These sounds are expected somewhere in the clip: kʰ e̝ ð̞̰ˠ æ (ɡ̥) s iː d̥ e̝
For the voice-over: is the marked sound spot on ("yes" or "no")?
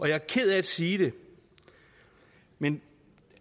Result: no